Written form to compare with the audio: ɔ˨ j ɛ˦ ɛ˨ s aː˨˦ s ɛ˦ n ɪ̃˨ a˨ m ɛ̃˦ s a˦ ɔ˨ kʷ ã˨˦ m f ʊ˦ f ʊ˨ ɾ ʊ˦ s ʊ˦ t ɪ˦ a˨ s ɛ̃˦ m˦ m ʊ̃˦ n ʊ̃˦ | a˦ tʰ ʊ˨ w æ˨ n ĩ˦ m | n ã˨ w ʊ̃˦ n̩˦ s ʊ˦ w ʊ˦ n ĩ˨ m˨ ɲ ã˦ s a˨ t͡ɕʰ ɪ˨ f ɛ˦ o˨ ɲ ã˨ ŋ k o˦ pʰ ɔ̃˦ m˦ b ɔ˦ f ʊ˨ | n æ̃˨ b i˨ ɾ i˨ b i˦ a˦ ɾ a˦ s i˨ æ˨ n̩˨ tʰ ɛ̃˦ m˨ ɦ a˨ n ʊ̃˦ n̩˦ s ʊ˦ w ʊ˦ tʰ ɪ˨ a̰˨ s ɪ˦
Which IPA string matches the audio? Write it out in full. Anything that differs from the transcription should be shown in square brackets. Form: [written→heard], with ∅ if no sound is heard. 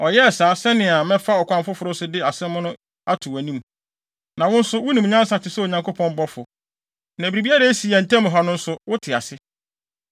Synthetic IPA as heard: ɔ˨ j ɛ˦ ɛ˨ s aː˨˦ s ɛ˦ n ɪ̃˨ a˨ m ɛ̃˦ [s→f] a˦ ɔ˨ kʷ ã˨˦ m f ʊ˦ f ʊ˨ ɾ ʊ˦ s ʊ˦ [t→d] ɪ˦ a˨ s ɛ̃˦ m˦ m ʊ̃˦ n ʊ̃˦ | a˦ tʰ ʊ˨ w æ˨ n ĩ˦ m | n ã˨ w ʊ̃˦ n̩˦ s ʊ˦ w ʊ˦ n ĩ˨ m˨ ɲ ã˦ s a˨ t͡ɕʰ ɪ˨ [f→s] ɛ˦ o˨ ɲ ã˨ ŋ k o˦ pʰ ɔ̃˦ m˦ b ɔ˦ f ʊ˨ | n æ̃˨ b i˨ ɾ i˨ b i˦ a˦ ɾ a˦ s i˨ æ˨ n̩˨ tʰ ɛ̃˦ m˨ ɦ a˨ n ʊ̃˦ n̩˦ s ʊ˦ w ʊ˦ tʰ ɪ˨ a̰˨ s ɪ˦